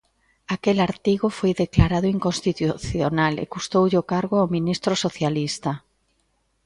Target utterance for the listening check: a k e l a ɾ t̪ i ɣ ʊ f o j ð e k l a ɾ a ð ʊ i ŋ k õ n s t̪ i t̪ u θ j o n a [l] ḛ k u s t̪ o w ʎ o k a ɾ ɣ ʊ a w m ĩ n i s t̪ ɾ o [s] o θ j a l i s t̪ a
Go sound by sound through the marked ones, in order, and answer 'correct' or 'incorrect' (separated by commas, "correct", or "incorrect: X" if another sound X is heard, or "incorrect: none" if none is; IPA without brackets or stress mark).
correct, correct